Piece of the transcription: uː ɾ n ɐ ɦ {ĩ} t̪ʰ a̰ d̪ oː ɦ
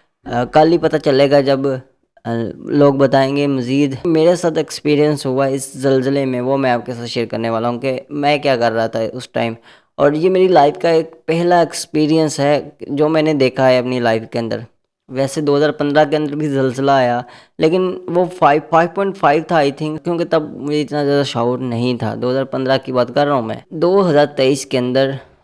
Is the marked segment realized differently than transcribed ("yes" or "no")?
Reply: no